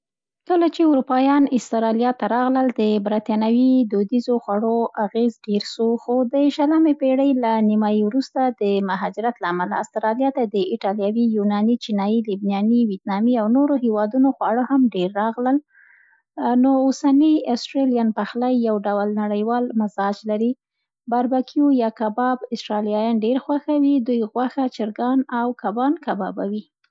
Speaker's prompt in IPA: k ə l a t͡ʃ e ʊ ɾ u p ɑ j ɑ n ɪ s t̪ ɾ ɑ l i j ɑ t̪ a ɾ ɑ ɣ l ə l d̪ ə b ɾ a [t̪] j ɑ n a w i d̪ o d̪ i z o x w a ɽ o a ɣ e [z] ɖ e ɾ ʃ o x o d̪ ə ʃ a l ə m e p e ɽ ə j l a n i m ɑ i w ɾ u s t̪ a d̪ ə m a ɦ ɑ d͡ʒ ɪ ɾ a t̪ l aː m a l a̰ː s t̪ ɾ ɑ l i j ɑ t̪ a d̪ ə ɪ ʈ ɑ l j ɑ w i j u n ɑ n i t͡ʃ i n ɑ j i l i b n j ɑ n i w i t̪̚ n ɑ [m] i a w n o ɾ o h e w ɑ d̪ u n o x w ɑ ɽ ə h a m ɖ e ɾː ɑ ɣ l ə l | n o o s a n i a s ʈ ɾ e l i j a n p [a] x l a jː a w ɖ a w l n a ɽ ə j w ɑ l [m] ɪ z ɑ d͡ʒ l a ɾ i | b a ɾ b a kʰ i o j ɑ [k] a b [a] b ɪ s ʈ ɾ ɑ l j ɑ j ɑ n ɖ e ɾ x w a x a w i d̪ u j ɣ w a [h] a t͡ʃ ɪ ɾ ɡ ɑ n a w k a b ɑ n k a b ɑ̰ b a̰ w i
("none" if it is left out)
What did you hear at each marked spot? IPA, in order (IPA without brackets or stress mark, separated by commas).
t̪, z, m, a, m, k, ɑ, x